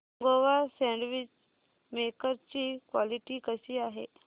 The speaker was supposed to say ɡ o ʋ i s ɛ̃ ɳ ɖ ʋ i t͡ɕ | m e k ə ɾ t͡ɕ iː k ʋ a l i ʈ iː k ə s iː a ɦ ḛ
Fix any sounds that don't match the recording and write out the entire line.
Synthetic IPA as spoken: ɡ o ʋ a s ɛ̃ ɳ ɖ ʋ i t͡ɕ | m e k ə ɾ t͡ɕ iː k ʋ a l i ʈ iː k ə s iː a ɦ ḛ